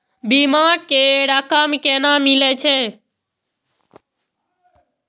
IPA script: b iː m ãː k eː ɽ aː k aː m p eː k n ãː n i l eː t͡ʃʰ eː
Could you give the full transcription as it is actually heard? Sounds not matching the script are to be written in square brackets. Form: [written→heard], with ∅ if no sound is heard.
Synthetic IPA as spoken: b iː m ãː k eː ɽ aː k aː m [p→k] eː [k→∅] n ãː [n→m] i l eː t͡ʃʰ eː